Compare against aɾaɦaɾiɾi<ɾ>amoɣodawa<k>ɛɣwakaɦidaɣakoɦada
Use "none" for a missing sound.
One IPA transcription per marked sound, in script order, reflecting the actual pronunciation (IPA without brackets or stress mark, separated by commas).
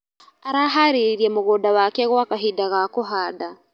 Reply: none, k